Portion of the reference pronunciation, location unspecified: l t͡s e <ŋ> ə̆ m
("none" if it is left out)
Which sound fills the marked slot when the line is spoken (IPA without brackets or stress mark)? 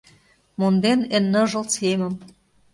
m